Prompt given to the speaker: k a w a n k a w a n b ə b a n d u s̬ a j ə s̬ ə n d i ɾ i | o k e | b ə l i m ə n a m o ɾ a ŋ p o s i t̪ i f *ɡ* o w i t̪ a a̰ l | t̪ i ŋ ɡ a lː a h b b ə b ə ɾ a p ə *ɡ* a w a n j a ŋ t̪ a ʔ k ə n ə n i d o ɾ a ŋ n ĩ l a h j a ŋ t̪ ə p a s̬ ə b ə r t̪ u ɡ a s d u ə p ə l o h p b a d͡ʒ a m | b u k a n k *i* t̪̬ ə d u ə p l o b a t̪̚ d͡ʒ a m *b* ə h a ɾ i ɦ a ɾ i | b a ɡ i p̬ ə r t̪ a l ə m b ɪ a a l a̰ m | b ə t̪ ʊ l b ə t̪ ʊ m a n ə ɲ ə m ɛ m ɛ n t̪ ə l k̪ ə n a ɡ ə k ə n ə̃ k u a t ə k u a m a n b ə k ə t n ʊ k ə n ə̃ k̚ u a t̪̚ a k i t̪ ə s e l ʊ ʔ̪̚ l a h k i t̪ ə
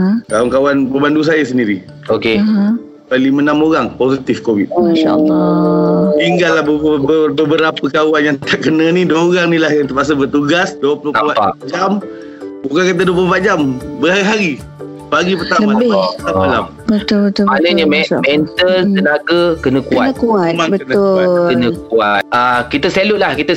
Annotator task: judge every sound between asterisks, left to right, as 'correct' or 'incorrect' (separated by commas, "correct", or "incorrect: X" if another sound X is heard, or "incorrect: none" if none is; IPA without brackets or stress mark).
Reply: incorrect: k, incorrect: k, incorrect: a, correct